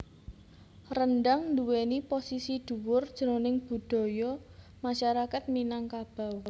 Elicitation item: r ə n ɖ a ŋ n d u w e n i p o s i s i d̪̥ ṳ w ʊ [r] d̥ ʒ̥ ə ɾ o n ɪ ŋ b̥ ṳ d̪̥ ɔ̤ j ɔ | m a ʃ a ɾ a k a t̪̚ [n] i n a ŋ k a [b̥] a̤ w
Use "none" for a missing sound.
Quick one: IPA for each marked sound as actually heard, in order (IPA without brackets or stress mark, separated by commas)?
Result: r, m, b̥